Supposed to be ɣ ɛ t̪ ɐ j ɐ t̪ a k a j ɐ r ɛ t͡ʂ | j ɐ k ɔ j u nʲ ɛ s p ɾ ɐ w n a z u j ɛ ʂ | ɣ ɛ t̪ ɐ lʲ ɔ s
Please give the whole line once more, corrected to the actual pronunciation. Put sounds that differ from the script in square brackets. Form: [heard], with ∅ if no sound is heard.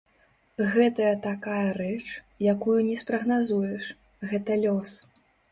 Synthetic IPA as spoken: ɣ ɛ t̪ ɐ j ɐ t̪ a k a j ɐ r ɛ t͡ʂ | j [a] k [u] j u nʲ ɛ s p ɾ ɐ [ɣ] n a z u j ɛ ʂ | ɣ ɛ t̪ ɐ lʲ ɔ s